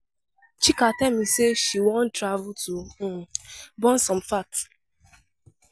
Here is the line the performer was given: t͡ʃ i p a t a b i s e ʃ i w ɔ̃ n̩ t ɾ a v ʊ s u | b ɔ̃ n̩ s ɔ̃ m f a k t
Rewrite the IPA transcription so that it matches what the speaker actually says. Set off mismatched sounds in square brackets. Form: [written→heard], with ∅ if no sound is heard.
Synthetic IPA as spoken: t͡ʃ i [p→k] a t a [b→m] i s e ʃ i w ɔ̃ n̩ t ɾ a v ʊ [s→t] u | b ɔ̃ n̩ s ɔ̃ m f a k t